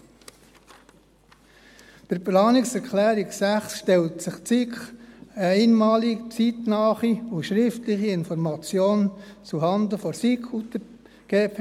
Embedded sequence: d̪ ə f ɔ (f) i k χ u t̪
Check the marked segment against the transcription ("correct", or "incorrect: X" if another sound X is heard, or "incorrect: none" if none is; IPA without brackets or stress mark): incorrect: s